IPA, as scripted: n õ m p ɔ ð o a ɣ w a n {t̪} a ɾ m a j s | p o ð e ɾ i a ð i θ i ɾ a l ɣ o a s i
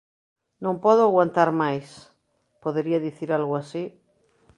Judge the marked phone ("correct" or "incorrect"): correct